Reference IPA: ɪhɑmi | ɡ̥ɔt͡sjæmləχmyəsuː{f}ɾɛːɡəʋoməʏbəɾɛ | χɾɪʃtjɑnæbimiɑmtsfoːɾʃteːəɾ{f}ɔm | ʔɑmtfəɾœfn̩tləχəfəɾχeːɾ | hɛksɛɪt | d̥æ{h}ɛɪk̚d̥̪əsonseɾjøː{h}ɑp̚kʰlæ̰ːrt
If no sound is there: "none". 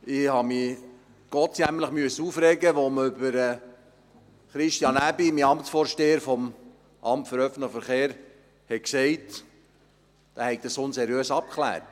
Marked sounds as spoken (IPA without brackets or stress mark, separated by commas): f, f, h, s